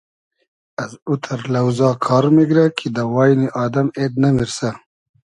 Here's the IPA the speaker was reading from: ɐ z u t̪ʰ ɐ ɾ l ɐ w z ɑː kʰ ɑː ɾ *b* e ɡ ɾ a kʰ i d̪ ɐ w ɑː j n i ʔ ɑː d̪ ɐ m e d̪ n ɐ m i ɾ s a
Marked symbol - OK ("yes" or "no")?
no